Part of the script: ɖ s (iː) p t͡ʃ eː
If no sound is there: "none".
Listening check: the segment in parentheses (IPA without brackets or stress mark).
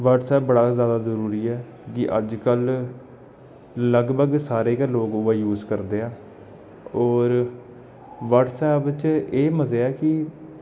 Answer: ɛː